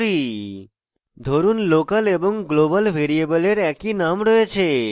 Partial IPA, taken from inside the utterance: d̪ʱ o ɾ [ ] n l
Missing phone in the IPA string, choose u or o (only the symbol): u